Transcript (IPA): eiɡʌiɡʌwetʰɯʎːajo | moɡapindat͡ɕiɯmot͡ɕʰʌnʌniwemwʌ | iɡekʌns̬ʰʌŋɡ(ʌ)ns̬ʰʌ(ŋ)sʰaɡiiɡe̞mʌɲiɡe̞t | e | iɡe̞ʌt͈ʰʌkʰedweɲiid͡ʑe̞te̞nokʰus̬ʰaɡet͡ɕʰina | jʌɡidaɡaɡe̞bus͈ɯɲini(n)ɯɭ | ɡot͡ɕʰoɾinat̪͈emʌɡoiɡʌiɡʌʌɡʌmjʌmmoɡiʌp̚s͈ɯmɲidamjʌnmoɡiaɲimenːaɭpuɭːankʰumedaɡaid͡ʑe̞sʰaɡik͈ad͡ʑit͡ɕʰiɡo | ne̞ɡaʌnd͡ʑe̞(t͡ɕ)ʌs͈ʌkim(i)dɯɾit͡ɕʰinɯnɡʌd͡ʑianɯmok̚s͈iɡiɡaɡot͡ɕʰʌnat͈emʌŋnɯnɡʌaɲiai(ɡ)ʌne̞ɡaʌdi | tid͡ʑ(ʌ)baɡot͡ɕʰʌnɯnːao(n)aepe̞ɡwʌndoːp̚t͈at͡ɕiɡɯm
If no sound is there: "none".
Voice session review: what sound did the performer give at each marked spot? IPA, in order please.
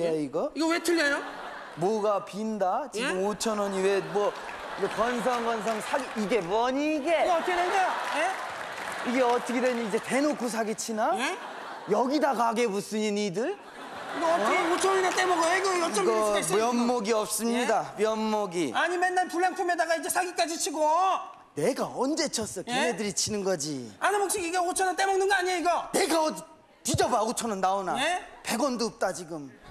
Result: ʌ, ŋ, d, t͡ɕʰ, e, ɡ, ʌ, n

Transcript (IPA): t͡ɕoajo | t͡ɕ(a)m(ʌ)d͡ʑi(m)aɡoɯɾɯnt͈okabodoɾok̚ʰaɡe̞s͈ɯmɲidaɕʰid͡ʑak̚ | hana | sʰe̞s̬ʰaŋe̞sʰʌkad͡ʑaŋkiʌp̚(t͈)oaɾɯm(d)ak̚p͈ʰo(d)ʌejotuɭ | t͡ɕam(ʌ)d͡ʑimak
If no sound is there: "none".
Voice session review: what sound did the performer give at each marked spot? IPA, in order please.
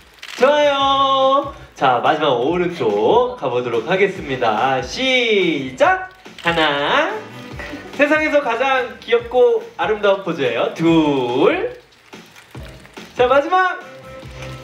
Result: a, a, m, k͈, d, d͡ʑ, a

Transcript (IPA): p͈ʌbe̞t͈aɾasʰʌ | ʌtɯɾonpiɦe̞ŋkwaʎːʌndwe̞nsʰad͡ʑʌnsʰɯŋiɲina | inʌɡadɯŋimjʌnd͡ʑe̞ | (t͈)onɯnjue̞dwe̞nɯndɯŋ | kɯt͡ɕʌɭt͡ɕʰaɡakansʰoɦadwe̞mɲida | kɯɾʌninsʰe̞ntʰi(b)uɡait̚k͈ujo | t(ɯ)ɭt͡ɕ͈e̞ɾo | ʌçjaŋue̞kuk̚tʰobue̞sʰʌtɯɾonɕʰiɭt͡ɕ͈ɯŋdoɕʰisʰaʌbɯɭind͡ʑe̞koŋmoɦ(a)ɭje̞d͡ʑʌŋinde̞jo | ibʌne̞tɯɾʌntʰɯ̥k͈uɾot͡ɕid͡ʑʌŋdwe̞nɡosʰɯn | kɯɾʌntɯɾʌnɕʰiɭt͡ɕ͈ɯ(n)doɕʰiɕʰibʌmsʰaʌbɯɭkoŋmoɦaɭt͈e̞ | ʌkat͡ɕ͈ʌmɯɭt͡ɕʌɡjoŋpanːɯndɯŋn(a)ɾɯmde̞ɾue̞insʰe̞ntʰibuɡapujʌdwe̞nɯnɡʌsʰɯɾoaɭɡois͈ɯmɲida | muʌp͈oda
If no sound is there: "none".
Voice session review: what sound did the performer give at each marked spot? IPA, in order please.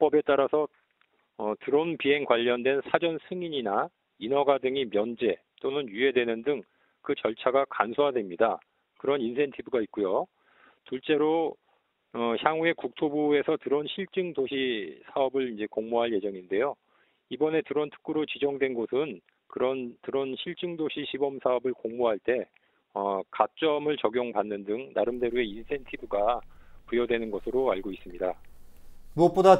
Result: t͈, b, u, a, ŋ, a

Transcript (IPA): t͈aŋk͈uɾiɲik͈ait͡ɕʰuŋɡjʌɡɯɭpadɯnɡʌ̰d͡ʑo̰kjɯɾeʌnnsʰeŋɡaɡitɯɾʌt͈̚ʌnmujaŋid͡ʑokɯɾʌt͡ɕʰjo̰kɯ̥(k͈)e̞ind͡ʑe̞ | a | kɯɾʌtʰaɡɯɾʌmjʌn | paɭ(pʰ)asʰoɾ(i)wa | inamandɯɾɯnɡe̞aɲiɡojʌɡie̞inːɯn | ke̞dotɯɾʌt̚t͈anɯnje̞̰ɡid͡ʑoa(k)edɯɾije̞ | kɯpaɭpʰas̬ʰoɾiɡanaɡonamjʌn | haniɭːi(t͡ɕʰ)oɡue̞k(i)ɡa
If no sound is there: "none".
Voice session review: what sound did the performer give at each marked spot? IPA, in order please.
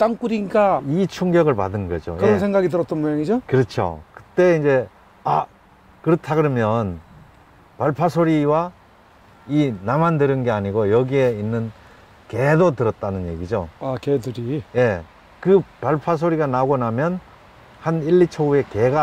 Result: t͈, pʰ, i, k, t͡ɕʰ, e

